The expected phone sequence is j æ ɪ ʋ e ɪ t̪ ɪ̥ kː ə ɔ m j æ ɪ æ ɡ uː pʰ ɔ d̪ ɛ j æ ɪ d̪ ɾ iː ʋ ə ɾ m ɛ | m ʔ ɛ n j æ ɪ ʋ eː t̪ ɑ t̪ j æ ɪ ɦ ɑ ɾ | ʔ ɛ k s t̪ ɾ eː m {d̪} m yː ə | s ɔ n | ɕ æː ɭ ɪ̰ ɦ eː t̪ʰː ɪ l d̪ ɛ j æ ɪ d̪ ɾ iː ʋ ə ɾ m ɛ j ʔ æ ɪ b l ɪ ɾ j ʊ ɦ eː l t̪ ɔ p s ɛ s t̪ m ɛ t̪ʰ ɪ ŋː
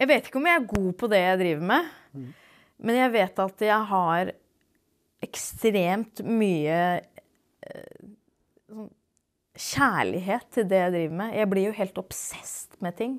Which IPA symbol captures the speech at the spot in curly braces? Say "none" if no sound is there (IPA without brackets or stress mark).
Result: t̪